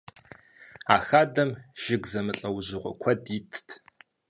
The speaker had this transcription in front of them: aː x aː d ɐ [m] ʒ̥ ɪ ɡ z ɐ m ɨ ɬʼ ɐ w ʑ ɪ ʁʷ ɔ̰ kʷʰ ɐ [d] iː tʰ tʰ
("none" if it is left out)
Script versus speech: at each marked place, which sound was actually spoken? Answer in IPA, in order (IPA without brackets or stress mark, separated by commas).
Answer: m, d